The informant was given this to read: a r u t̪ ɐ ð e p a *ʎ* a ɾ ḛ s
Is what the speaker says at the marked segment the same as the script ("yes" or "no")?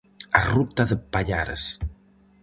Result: yes